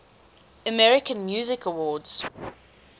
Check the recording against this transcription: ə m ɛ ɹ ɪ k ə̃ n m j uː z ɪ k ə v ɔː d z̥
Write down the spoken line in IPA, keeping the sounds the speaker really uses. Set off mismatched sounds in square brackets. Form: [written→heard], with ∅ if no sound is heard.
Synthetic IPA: ə m ɛ ɹ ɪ k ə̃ n m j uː z ɪ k ə [v→w] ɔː d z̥